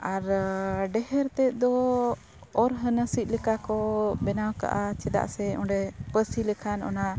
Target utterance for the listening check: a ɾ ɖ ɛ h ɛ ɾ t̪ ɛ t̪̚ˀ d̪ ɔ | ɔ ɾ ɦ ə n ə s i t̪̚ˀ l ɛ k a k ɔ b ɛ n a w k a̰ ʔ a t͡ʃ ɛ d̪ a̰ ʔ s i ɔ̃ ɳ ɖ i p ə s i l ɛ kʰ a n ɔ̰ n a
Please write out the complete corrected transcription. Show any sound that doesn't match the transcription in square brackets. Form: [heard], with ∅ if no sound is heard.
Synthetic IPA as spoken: a ɾ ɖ ɛ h ɛ ɾ t̪ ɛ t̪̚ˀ d̪ ɔ | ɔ ɾ ɦ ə n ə s i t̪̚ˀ l ɛ k a k ɔ b ɛ n a w k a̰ ʔ a t͡ʃ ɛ d̪ a̰ ʔ s [ɛ] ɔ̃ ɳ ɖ [ɛ] p ə s i l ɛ kʰ a n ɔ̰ n a